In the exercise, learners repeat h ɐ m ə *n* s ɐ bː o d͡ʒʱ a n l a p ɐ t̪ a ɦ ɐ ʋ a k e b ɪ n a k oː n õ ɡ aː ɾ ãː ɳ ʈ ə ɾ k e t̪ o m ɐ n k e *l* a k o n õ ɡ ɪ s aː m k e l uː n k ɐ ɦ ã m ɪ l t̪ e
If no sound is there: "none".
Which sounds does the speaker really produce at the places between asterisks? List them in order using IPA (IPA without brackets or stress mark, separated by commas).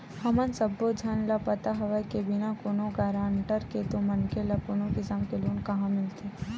n, l